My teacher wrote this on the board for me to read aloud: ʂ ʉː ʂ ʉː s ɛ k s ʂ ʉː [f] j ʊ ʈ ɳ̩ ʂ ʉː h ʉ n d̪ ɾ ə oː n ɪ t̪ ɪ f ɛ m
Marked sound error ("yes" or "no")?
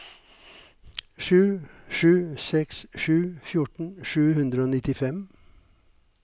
no